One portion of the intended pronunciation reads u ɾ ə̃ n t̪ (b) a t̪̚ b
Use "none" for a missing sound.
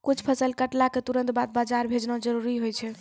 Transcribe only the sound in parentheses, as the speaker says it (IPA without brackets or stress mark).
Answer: b